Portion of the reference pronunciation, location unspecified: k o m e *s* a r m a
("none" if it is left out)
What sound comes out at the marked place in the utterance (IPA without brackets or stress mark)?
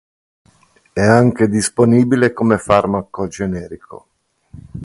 f